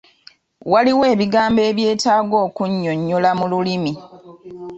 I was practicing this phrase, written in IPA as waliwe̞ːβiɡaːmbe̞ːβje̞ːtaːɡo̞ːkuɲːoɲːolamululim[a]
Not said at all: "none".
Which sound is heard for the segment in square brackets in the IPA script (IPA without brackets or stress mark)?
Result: i